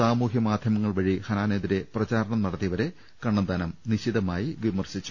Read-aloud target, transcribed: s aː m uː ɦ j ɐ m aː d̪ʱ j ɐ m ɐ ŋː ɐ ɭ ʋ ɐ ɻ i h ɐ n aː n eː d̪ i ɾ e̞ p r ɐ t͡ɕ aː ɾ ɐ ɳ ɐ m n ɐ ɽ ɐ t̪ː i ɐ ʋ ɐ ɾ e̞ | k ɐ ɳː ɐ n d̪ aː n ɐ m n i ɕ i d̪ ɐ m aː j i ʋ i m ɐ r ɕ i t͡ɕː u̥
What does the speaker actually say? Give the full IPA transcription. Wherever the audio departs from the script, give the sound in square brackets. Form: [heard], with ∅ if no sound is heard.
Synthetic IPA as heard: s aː m uː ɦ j ɐ m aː d̪ʱ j ɐ m ɐ ŋː ɐ ɭ ʋ ɐ ɻ i h ɐ n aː n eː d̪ i ɾ e̞ p r ɐ t͡ɕ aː ɾ ɐ ɳ ɐ m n ɐ ɽ ɐ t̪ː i ɐ ʋ ɐ ɾ e̞ | k ɐ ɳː ɐ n d̪ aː n ɐ m n i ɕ i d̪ ɐ m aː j i ʋ i m ɐ r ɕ i t͡ɕː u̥

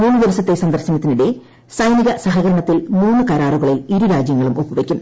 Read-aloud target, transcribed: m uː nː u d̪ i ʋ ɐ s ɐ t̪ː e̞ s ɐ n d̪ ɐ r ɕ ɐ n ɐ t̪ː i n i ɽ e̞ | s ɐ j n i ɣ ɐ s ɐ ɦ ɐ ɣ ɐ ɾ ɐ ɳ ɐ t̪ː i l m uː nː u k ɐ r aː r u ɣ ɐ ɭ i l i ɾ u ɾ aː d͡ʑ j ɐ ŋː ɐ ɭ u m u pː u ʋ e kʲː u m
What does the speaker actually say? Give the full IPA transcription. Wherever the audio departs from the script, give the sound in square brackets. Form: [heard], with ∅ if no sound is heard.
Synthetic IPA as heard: m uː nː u d̪ i ʋ ɐ s ɐ t̪ː e̞ s ɐ n d̪ ɐ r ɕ ɐ n ɐ t̪ː i n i ɽ e̞ | s ɐ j n i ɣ ɐ s ɐ ɦ ɐ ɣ ɐ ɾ ɐ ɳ ɐ t̪ː i l m uː nː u k ɐ [ɾ] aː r u ɣ ɐ ɭ i l i ɾ u ɾ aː d͡ʑ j ɐ ŋː ɐ ɭ u m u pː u ʋ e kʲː u m

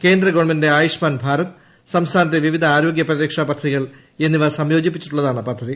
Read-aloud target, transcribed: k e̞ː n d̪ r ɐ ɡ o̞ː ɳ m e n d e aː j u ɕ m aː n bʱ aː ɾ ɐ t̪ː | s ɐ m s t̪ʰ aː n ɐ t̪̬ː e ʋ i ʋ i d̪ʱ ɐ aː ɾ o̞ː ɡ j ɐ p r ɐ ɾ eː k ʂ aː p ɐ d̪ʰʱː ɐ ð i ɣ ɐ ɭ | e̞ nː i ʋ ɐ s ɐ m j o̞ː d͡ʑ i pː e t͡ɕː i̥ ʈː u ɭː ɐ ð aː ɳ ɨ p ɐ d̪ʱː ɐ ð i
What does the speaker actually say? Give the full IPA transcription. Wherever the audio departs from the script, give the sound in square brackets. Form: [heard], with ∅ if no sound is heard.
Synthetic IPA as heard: k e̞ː n d̪ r ɐ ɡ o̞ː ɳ m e n d e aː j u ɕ m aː n bʱ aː ɾ ɐ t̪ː | s ɐ m s t̪ʰ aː n ɐ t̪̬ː e ʋ i ʋ i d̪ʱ ɐ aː ɾ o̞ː ɡ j ɐ p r ɐ ɾ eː k ʂ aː p ɐ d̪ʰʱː ɐ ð i ɣ ɐ ɭ | e̞ nː i ʋ ɐ s ɐ m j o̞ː d͡ʑ i pː [i] t͡ɕː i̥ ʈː u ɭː ɐ ð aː ɳ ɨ p ɐ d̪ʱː ɐ ð i

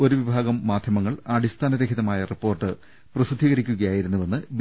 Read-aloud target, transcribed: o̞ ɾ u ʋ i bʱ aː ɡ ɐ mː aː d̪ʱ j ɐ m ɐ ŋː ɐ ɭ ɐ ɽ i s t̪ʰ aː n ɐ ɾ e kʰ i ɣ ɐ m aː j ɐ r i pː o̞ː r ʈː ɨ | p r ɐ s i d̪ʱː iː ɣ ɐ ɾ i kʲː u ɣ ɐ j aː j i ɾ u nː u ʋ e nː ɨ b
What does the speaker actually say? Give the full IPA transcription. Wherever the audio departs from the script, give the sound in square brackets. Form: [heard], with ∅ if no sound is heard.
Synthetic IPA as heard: o̞ ɾ u ʋ i bʱ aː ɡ ɐ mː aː d̪ʱ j ɐ m ɐ ŋː ɐ ɭ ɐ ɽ i s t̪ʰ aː n ɐ ɾ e kʰ i [ð] ɐ m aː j ɐ r i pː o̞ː r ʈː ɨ | p r ɐ s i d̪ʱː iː ɣ ɐ ɾ i kʲː u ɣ ɐ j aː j i ɾ u nː u ʋ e nː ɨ b

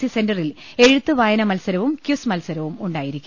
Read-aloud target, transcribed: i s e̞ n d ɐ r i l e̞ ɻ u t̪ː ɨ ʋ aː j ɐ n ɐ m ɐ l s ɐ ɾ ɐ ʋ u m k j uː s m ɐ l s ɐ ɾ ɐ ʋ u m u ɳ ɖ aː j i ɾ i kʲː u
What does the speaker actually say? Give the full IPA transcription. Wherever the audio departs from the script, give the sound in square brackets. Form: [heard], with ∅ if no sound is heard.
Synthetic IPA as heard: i s e̞ n d ɐ r i l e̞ ɻ u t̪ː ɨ ʋ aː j ɐ n ɐ m ɐ l s ɐ ɾ ɐ ʋ u m k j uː s m ɐ l s ɐ ɾ ɐ ʋ u m u ɳ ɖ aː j i ɾ i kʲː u

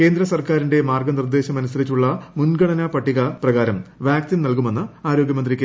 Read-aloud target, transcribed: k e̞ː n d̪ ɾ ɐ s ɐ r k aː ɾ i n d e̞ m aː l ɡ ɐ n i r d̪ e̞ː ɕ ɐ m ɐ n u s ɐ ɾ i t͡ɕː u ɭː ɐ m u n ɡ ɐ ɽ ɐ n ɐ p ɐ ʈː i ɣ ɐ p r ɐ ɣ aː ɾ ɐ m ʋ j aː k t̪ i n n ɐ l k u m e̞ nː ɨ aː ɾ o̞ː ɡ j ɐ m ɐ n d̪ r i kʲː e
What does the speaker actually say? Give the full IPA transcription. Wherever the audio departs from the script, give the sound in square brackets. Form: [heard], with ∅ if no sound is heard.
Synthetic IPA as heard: k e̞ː n d̪ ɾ ɐ s ɐ r k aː ɾ i n d e̞ m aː [r] ɡ ɐ n i r d̪ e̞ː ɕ ɐ m ɐ n u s ɐ ɾ i t͡ɕː u ɭː ɐ m u n ɡ ɐ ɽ ɐ n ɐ p ɐ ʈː i ɣ ɐ p r ɐ ɣ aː ɾ ɐ m ʋ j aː k t̪ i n n ɐ l k u m e̞ nː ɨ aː ɾ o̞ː ɡ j ɐ m ɐ n d̪ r i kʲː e

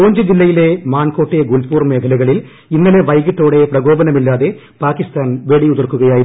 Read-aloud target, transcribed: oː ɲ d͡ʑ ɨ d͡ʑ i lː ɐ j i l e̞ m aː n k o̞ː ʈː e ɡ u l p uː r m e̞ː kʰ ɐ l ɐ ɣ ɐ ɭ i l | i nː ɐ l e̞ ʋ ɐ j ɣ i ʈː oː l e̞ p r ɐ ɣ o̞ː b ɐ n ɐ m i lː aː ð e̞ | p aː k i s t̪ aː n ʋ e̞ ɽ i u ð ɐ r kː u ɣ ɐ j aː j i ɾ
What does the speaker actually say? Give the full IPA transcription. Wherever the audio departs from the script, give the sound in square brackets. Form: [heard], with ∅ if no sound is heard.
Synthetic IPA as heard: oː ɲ d͡ʑ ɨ d͡ʑ i lː ɐ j i l e̞ m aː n k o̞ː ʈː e ɡ u l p uː r m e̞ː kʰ ɐ l ɐ ɣ ɐ ɭ i l | i nː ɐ l e̞ ʋ ɐ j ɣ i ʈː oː [ɽ] e̞ p r ɐ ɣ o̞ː b ɐ n ɐ m i lː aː ð e̞ | p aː k i s t̪ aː n ʋ e̞ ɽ i u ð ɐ r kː u ɣ ɐ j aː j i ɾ

